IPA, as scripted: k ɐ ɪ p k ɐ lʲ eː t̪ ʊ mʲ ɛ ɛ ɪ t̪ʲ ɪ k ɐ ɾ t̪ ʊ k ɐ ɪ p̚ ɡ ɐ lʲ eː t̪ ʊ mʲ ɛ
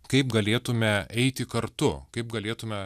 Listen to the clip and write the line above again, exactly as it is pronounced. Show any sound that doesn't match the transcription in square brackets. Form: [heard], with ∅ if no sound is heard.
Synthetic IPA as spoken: k ɐ ɪ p [ɡ] ɐ lʲ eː t̪ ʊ mʲ ɛ ɛ ɪ t̪ʲ ɪ k ɐ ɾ t̪ ʊ k ɐ ɪ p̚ ɡ ɐ lʲ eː t̪ ʊ mʲ ɛ

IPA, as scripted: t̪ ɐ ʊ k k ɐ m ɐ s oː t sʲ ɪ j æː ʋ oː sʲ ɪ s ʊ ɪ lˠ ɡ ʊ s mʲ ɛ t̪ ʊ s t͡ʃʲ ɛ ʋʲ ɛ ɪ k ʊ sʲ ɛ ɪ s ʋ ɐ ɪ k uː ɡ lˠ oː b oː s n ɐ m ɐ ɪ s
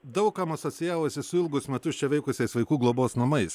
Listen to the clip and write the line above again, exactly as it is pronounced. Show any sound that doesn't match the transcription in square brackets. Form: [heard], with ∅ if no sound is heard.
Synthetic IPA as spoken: [d̪] ɐ ʊ k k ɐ m ɐ s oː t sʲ ɪ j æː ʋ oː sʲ ɪ s ʊ ɪ lˠ ɡ ʊ s mʲ ɛ t̪ ʊ s t͡ʃʲ ɛ ʋʲ ɛ ɪ k ʊ sʲ ɛ ɪ s ʋ ɐ ɪ k uː ɡ lˠ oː b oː s n ɐ m ɐ ɪ s

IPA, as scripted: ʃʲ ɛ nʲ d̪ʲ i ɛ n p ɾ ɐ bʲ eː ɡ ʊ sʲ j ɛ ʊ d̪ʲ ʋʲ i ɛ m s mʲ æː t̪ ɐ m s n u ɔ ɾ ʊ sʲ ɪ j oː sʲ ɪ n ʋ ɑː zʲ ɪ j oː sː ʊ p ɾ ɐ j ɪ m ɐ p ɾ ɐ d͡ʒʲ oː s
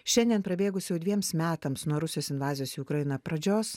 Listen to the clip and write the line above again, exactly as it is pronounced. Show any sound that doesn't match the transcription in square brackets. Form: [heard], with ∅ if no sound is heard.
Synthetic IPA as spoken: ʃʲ ɛ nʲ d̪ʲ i ɛ n p ɾ ɐ bʲ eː ɡ ʊ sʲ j ɛ ʊ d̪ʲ ʋʲ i ɛ m s mʲ æː t̪ ɐ m s n u ɔ ɾ ʊ sʲ ɪ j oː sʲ ɪ n ʋ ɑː zʲ ɪ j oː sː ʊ [k] ɾ ɐ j ɪ [n] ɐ p ɾ ɐ d͡ʒʲ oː s

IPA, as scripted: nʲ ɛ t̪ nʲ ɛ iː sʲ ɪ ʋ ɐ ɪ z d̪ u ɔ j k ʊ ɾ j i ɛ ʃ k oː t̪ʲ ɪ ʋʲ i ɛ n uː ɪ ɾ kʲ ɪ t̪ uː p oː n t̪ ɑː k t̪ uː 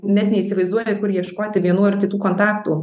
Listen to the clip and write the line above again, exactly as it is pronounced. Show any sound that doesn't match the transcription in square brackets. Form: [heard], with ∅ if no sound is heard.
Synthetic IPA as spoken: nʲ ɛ t̪ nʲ ɛ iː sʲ ɪ ʋ ɐ ɪ z d̪ u ɔ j k ʊ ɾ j i ɛ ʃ k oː t̪ʲ ɪ ʋʲ i ɛ n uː ɪ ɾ kʲ ɪ t̪ uː [k] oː n t̪ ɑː k t̪ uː

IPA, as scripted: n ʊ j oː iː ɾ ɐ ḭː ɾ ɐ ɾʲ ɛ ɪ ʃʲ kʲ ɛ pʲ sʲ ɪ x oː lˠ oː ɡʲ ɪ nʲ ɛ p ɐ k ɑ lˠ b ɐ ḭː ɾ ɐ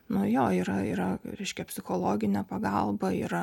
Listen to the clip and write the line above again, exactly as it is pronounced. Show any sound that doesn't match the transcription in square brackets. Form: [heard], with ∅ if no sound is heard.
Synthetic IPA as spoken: n ʊ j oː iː ɾ ɐ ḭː ɾ ɐ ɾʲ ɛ ɪ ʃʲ kʲ ɛ pʲ sʲ ɪ x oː lˠ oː ɡʲ ɪ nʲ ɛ p ɐ [ɡ] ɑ lˠ b ɐ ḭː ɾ ɐ

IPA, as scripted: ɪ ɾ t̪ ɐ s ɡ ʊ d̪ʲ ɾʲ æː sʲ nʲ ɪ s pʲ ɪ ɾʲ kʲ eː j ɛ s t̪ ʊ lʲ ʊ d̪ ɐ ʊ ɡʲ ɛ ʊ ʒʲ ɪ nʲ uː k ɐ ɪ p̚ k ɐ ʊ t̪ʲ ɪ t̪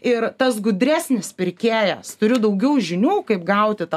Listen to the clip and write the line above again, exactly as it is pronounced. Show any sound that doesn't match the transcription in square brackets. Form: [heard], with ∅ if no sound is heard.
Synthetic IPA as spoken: ɪ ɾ t̪ ɐ s ɡ ʊ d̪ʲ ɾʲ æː sʲ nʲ ɪ s pʲ ɪ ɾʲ kʲ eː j ɛ s t̪ ʊ [ɾʲ] ʊ d̪ ɐ ʊ ɡʲ ɛ ʊ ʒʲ ɪ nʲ uː k ɐ ɪ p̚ [ɡ] ɐ ʊ t̪ʲ ɪ t̪

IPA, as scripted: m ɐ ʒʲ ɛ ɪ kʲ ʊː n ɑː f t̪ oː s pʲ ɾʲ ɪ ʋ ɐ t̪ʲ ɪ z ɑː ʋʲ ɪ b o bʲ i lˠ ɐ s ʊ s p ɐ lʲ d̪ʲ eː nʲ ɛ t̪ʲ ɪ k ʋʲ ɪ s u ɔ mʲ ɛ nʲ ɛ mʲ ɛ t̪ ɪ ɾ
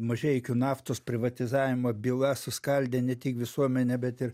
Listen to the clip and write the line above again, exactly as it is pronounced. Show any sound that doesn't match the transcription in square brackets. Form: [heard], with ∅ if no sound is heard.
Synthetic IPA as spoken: m ɐ ʒʲ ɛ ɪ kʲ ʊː n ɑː f t̪ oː s pʲ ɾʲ ɪ ʋ ɐ t̪ʲ ɪ z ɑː ʋʲ ɪ [m] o bʲ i lˠ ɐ s ʊ s [k] ɐ lʲ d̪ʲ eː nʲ ɛ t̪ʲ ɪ k ʋʲ ɪ s u ɔ mʲ ɛ nʲ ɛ [bʲ] ɛ t̪ ɪ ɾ

